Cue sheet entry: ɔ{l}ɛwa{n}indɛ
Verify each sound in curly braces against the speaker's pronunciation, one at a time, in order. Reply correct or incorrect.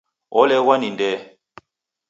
correct, correct

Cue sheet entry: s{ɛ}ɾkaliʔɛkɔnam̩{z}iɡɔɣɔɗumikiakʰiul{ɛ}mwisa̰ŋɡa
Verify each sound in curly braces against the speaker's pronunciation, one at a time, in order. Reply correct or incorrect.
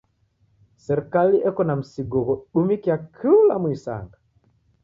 correct, incorrect, incorrect

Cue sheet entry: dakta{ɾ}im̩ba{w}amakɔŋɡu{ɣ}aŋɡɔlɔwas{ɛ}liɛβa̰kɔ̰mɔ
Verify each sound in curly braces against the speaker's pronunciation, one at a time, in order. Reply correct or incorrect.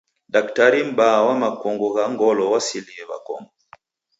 correct, correct, correct, incorrect

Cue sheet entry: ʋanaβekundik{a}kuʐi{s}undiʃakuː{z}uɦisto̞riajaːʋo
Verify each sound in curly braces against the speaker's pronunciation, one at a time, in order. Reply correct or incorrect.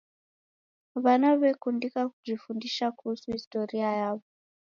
correct, incorrect, incorrect

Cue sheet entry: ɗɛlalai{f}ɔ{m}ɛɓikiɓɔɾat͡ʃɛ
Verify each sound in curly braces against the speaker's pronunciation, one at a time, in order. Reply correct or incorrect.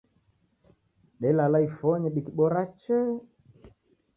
correct, incorrect

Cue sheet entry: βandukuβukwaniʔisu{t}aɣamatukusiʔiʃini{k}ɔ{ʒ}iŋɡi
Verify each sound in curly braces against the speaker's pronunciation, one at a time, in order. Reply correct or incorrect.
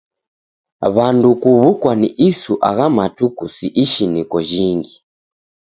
incorrect, correct, correct

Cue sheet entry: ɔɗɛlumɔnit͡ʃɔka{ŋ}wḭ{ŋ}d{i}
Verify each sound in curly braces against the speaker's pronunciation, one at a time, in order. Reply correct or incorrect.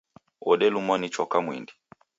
incorrect, incorrect, correct

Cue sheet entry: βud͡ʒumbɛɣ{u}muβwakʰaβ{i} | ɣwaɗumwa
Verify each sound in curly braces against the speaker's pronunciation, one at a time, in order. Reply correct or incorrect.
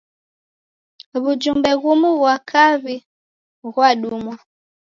correct, correct

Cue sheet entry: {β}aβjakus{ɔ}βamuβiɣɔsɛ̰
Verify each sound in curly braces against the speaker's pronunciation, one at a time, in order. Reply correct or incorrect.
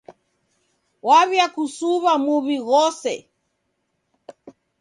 incorrect, incorrect

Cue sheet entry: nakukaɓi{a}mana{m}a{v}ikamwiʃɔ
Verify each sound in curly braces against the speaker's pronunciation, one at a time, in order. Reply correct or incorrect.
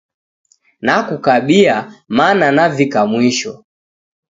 correct, incorrect, correct

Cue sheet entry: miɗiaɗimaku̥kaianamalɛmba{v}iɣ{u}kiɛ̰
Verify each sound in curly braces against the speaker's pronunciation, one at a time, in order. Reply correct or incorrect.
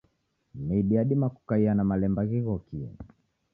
incorrect, incorrect

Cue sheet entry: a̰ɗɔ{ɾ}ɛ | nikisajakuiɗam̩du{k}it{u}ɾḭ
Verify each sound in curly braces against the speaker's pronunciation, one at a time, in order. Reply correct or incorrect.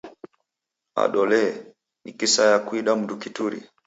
incorrect, correct, correct

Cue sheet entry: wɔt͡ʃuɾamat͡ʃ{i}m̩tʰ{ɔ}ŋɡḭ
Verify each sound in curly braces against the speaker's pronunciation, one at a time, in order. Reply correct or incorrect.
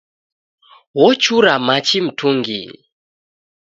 correct, incorrect

